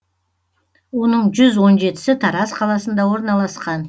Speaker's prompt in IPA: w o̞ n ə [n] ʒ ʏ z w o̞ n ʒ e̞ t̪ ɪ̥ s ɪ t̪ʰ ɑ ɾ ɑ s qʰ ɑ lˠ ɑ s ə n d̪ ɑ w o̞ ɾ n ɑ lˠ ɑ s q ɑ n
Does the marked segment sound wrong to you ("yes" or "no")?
yes